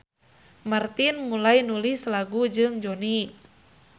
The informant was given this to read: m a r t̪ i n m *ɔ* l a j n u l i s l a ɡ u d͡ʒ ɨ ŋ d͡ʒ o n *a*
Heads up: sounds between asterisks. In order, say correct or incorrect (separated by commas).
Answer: incorrect, incorrect